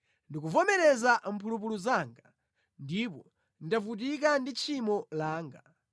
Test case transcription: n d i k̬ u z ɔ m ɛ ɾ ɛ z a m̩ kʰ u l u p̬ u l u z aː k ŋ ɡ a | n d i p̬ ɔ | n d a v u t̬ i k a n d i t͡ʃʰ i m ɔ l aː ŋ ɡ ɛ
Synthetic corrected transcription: n d i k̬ u v ɔ m ɛ ɾ ɛ z a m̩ pʰ u l u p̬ u l u z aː ŋ ɡ a | n d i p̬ ɔ | n d a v u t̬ i k a n d i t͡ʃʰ i m ɔ l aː ŋ ɡ a

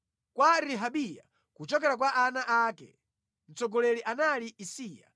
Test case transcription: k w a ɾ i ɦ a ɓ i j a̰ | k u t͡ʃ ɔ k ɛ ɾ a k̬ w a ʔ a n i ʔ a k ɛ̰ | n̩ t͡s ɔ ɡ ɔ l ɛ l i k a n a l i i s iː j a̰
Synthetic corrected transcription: k w a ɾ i ɦ a ɓ i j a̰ | k u t͡ʃ ɔ k ɛ ɾ a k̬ w a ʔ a n a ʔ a k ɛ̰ | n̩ t͡s ɔ ɡ ɔ l ɛ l i ʔ a n a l i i s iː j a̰

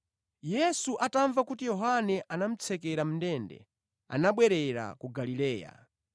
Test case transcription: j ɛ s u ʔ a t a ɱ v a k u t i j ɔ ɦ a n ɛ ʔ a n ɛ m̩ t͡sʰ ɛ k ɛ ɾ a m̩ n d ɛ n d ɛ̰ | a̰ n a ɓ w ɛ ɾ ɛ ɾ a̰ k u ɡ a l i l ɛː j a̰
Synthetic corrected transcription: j ɛ s u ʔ a t a ɱ v a k u t i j ɔ ɦ a n ɛ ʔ a n a m̩ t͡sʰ ɛ k ɛ ɾ a m̩ n d ɛ n d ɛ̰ | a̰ n a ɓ w ɛ ɾ ɛ ɾ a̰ k u ɡ a l i l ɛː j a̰

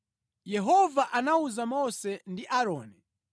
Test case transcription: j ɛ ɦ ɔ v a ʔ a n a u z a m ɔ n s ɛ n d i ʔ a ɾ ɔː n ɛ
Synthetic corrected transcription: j ɛ ɦ ɔ v a ʔ a n a u z a m ɔ s ɛ n d i ʔ a ɾ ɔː n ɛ

